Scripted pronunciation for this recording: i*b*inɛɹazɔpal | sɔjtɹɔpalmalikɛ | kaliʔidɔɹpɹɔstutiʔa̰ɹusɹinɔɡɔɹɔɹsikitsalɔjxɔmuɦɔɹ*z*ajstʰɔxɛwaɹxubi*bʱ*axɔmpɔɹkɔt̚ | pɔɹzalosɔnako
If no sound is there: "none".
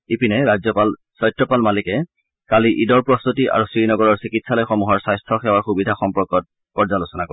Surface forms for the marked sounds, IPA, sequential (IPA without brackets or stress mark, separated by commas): p, s, dʱ